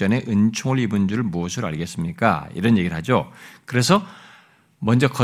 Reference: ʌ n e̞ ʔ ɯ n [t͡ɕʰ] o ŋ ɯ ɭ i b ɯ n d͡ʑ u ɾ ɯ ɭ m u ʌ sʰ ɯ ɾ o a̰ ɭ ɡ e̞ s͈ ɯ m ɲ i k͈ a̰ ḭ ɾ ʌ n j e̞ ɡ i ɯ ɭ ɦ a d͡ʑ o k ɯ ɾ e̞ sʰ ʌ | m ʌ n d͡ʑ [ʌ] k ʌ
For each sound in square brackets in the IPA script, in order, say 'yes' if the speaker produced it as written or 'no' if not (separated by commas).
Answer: yes, yes